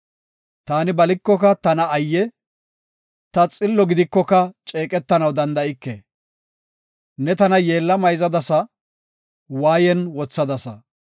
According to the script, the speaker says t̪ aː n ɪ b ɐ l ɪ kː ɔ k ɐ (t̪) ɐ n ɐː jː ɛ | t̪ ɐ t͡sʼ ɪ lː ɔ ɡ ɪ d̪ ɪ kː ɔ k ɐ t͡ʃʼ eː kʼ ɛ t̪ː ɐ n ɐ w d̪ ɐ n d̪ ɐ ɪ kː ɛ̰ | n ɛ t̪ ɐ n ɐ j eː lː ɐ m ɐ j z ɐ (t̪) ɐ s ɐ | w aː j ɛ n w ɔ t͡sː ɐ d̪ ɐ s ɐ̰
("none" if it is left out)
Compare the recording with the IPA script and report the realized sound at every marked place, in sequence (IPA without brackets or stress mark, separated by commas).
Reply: t̪, d̪